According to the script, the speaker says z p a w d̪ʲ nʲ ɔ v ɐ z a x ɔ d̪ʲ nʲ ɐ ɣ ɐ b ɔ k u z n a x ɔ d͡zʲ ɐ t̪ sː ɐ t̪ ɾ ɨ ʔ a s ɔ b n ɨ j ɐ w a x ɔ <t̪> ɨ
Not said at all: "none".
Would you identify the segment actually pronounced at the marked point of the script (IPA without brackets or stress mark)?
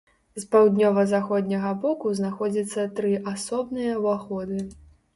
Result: d̪